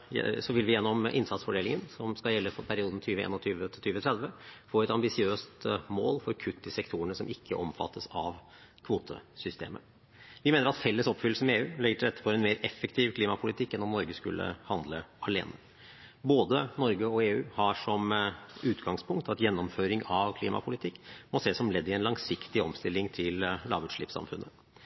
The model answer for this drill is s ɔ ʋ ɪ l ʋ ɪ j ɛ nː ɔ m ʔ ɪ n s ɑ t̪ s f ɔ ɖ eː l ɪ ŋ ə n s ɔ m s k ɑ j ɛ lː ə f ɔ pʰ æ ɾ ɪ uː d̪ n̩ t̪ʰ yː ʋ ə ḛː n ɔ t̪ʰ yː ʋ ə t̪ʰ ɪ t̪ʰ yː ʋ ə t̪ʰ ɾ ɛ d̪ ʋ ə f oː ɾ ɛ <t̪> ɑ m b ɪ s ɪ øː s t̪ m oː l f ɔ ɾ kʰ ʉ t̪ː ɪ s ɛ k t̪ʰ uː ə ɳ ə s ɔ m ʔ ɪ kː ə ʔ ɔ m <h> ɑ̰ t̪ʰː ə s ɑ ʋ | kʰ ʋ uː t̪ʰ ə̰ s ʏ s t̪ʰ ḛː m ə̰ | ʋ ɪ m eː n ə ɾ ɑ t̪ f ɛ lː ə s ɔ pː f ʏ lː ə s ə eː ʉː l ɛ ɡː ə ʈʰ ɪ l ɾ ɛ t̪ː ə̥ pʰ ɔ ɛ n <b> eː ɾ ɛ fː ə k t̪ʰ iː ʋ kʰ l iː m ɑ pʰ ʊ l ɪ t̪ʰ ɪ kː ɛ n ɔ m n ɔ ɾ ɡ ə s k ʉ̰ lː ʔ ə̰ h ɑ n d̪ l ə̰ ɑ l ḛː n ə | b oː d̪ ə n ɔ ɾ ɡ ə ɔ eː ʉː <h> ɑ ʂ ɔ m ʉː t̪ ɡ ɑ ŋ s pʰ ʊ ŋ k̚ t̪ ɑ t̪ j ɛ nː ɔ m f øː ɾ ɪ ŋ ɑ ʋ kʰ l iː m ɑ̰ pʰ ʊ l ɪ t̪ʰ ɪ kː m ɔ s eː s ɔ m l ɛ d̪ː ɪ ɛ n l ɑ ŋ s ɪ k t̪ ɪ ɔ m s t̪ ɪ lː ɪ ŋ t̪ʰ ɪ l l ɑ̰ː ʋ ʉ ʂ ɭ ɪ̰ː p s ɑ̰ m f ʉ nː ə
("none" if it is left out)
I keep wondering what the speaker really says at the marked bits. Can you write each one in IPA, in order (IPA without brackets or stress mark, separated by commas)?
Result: t̪, f, m, h